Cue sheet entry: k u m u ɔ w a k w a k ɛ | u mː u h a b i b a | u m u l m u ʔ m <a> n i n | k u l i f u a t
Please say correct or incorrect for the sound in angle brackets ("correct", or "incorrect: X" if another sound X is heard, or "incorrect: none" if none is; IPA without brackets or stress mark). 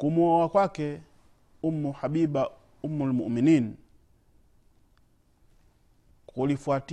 incorrect: i